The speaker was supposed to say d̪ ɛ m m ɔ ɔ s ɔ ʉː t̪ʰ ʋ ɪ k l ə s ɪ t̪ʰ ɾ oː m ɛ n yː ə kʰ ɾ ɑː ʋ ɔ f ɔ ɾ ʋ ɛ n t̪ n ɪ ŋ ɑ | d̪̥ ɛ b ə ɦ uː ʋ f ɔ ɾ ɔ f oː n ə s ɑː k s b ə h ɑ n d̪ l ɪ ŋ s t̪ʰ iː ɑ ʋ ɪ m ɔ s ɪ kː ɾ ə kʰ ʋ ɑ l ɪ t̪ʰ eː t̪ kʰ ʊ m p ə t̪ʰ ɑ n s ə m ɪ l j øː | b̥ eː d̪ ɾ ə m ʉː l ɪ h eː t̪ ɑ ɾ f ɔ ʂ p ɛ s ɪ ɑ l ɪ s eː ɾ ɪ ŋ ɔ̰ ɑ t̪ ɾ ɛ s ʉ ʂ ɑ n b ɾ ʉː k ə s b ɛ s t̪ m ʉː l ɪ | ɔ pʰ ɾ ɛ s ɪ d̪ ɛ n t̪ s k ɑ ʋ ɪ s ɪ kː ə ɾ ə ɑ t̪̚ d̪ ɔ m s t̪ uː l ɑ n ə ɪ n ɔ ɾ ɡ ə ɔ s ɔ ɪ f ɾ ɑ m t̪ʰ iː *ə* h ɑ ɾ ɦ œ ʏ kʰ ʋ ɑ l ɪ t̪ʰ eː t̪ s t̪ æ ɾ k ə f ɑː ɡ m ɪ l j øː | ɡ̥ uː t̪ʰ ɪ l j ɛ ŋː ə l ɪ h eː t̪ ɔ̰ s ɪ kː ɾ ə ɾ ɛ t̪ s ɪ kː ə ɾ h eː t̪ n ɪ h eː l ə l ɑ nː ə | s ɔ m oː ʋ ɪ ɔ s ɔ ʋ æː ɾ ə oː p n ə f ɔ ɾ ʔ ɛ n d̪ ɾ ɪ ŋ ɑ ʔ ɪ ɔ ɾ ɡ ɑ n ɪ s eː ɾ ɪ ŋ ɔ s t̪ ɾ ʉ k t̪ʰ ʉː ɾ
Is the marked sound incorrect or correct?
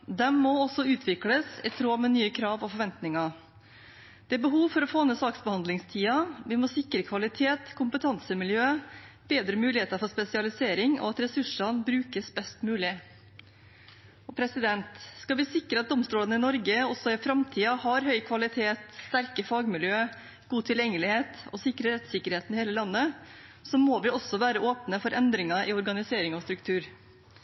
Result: incorrect: ɑ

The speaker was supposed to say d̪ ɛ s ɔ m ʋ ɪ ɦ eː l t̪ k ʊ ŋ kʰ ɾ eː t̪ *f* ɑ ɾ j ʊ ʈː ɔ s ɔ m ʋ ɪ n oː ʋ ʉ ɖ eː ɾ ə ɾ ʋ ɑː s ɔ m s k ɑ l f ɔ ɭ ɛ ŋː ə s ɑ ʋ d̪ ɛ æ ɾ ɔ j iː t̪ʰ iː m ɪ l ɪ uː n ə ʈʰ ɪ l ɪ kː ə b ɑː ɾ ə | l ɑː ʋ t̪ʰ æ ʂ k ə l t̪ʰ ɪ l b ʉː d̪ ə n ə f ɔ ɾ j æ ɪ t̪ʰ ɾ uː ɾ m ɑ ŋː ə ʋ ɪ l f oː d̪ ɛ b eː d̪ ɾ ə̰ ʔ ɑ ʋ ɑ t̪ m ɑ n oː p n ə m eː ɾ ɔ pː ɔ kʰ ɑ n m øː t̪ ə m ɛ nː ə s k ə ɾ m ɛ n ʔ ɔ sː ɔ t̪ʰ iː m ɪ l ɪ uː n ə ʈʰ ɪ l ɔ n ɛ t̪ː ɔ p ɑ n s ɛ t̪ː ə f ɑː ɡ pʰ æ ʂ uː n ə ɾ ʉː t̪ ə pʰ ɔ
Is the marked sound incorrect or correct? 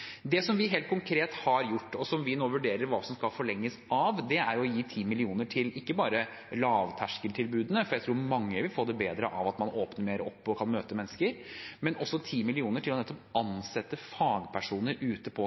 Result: incorrect: h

